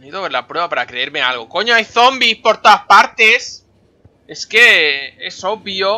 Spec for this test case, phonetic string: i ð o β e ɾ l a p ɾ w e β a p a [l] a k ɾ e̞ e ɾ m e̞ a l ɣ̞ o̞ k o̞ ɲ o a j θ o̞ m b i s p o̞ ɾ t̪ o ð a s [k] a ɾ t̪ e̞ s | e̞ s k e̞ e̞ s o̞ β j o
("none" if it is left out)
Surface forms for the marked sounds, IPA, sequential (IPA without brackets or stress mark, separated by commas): ɾ, p